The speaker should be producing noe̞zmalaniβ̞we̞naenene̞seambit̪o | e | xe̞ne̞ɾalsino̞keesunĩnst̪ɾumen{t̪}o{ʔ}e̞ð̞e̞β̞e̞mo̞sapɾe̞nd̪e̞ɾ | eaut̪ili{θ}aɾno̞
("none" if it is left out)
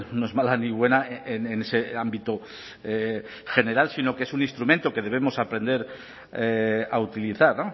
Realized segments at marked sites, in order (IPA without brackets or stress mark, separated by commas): t̪, k, θ